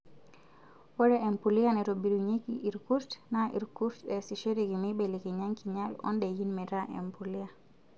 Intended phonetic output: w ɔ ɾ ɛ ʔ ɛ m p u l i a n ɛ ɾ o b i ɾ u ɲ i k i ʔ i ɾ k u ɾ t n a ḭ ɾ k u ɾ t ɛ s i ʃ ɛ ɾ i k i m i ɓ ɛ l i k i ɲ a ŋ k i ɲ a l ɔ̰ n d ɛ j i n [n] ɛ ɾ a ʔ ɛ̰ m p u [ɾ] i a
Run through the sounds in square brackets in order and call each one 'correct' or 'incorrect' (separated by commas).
incorrect, incorrect